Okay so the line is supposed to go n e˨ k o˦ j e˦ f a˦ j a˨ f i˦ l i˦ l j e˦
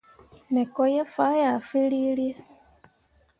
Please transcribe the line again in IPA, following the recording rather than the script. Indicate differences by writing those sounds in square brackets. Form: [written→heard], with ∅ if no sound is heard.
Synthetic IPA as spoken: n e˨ k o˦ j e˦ f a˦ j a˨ f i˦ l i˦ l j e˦